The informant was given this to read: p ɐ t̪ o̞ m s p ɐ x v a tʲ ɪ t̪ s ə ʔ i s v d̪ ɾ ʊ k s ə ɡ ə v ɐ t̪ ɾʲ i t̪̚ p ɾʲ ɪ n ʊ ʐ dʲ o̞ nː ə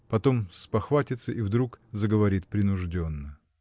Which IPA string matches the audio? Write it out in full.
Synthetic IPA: p ɐ t̪ o̞ m s p ɐ x v a tʲ ɪ t̪ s ə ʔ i v d̪ ɾ u k z ə ɡ ə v ɐ ɾʲ i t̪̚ p ɾʲ ɪ n ʊ ʐ dʲ o̞ nː ə